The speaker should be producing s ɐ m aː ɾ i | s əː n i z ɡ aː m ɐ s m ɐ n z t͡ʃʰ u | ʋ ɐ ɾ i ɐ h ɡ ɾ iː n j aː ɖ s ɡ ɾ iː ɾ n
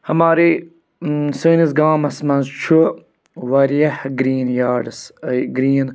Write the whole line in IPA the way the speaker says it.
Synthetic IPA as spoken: h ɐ m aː ɾ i | s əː n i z ɡ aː m ɐ s m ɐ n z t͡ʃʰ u | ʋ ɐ ɾ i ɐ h ɡ ɾ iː n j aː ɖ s ɡ ɾ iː n